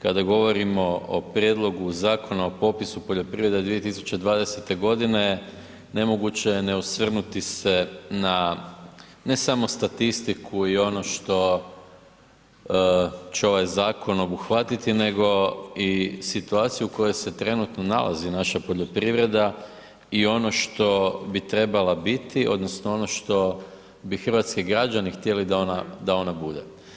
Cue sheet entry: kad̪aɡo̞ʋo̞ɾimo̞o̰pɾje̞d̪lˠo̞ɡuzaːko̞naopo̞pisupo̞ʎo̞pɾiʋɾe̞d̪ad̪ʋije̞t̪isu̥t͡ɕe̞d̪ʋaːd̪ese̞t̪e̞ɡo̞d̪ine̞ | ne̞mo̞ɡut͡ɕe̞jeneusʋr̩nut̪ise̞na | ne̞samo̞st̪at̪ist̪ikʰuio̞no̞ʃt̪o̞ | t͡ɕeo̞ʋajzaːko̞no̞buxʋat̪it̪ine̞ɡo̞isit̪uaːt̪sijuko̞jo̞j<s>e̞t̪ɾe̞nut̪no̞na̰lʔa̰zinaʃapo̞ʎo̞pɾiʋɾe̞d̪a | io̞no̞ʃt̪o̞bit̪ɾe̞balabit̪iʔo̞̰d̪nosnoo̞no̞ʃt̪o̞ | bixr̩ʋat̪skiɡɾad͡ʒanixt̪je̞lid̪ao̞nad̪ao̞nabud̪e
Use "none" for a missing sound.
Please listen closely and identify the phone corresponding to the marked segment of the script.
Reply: s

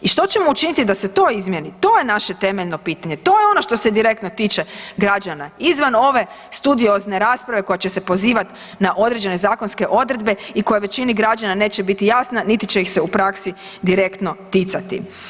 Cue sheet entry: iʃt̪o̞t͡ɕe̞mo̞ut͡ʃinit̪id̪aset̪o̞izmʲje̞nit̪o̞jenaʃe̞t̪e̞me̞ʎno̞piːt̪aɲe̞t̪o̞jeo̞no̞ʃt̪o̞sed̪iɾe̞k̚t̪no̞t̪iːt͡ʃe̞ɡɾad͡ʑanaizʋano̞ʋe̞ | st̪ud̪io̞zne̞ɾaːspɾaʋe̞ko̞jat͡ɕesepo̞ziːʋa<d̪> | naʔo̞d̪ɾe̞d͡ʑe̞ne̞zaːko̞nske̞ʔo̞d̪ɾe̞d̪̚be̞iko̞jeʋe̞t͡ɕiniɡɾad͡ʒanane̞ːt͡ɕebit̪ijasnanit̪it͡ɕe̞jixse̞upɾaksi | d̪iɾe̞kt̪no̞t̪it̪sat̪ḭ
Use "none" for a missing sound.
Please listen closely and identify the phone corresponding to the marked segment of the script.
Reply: t̪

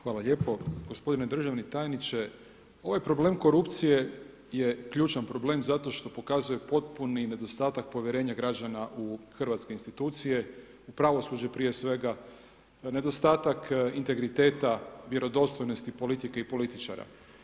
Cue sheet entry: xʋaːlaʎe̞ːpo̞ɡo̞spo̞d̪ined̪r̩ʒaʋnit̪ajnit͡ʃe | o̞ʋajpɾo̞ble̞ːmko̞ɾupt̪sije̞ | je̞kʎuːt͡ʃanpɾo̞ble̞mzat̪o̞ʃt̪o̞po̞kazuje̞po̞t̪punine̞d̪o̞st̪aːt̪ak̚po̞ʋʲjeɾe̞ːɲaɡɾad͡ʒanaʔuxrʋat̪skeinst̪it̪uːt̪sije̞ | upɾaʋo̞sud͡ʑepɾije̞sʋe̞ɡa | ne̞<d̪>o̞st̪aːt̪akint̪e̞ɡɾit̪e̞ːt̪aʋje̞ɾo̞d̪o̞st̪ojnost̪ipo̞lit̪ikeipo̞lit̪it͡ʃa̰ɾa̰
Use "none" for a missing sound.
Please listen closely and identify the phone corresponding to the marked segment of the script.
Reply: d̪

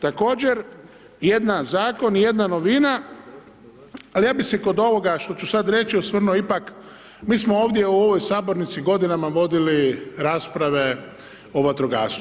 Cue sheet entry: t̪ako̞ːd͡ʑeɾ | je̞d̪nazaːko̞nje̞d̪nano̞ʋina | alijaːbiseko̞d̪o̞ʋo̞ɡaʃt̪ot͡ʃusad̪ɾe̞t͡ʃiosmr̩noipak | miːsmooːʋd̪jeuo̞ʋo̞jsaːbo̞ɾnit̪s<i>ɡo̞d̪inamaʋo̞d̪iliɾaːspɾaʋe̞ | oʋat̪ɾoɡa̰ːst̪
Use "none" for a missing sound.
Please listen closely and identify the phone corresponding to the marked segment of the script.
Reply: i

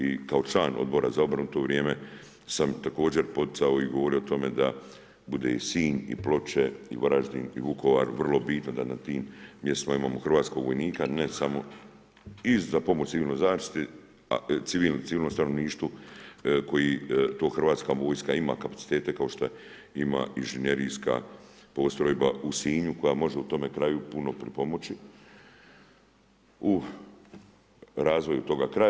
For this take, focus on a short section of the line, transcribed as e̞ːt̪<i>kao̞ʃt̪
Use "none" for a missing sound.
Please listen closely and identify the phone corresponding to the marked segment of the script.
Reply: e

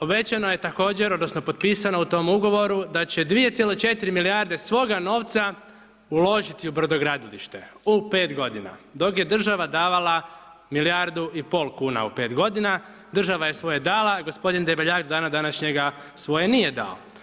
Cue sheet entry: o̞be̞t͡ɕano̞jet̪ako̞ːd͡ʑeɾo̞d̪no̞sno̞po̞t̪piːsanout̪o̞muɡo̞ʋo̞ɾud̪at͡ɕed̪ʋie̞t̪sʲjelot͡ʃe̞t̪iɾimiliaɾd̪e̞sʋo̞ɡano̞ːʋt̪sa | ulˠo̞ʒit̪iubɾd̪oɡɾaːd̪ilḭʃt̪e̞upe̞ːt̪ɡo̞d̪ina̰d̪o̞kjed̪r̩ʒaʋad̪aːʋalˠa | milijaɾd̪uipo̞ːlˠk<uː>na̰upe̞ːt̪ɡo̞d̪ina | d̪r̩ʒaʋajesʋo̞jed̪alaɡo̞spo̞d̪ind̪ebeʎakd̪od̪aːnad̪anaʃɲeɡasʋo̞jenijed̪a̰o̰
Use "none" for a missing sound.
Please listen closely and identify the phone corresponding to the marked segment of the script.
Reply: uː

